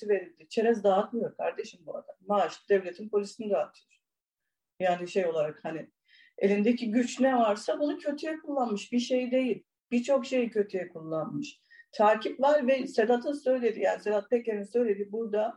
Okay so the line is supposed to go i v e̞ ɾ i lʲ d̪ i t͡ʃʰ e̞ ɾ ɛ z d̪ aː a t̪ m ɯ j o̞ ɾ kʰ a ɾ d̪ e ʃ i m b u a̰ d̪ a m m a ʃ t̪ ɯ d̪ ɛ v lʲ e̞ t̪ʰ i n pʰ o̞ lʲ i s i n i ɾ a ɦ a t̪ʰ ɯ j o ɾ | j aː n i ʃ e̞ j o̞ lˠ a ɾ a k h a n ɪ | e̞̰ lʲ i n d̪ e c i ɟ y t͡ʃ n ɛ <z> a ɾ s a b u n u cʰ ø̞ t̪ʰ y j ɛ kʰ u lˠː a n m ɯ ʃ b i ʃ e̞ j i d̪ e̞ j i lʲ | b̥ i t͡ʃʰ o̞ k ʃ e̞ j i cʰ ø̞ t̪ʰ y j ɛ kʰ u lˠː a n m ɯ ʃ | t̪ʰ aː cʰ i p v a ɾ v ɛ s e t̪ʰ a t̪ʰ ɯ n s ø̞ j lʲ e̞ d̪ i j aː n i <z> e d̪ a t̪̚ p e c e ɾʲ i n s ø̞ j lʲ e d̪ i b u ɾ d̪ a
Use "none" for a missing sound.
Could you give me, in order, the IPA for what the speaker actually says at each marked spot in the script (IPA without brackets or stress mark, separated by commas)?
v, s